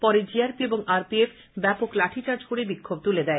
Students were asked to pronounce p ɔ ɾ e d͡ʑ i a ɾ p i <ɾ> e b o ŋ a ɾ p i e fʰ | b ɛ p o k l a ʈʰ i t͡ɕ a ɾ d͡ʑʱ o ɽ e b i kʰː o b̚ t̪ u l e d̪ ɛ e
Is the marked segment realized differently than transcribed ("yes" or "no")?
yes